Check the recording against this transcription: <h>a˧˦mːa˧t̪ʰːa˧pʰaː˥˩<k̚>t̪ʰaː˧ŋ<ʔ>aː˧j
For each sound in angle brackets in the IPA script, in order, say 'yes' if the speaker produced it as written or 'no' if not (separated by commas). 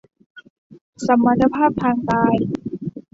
no, no, no